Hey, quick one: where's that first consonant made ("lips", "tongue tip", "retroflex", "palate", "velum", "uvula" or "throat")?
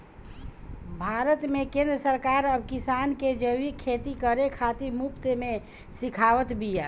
lips